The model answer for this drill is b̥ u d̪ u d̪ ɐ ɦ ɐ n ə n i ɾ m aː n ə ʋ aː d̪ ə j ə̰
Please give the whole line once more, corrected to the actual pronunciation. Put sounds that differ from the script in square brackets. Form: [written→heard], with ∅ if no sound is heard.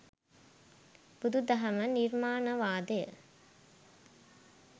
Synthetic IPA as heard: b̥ u d̪ u d̪ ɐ ɦ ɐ [n→m] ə n i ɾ m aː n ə ʋ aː d̪ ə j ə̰

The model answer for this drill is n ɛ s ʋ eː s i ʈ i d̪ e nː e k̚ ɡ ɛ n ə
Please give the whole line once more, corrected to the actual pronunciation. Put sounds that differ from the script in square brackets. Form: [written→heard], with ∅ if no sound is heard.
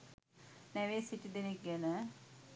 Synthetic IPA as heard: n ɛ [s→∅] ʋ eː s i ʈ i d̪ e [nː→n] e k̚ ɡ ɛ n ə

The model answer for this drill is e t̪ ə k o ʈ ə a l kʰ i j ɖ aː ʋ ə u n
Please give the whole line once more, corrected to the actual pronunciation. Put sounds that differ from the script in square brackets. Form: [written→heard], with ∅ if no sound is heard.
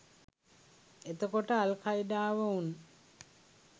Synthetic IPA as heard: e t̪ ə k o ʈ ə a l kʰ [i→a] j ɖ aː ʋ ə u n

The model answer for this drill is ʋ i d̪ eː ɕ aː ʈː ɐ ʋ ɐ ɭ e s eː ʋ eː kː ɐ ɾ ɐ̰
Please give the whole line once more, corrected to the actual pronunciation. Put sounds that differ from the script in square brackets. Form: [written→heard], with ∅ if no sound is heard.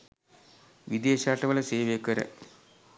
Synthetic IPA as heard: ʋ i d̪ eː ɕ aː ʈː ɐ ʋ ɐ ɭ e s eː ʋ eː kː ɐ ɾ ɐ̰

